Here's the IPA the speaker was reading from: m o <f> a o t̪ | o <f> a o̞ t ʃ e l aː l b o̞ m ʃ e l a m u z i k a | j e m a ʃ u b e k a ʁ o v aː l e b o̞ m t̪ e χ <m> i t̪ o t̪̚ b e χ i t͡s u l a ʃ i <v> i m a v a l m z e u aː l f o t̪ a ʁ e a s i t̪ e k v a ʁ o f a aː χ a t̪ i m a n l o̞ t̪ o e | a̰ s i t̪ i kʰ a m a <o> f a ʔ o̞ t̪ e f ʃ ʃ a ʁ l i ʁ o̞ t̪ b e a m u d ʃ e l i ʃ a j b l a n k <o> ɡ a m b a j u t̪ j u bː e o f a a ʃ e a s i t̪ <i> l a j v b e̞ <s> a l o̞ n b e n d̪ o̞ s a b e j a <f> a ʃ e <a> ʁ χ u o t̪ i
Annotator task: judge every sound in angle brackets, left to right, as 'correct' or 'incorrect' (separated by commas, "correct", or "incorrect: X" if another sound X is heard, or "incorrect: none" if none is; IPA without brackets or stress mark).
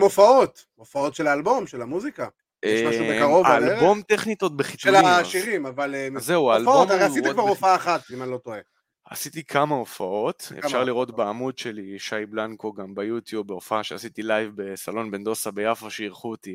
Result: correct, correct, incorrect: n, incorrect: ʁ, correct, correct, correct, correct, correct, incorrect: i